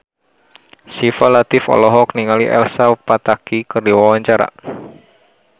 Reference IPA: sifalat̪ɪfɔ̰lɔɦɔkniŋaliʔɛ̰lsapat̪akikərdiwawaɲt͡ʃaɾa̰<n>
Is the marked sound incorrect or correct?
incorrect